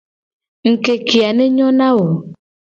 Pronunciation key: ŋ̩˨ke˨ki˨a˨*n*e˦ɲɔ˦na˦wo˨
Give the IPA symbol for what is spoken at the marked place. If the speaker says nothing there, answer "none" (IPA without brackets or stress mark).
n